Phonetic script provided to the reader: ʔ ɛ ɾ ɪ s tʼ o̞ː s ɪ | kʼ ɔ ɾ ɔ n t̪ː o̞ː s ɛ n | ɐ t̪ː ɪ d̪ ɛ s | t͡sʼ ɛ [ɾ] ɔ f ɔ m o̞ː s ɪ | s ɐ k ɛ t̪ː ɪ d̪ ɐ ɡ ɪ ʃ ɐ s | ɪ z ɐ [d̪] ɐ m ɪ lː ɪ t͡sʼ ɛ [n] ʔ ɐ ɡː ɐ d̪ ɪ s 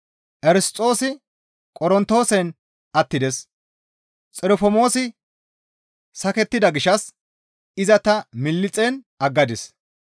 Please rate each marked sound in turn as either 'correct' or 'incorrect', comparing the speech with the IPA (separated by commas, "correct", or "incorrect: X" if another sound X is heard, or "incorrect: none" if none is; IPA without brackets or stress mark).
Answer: correct, incorrect: t̪, correct